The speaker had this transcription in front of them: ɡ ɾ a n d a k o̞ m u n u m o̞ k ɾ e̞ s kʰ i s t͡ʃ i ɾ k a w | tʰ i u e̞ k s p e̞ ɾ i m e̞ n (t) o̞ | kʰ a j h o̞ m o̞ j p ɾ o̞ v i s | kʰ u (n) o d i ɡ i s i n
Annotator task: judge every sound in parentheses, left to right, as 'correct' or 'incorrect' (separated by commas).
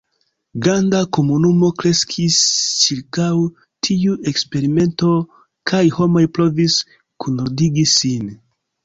correct, correct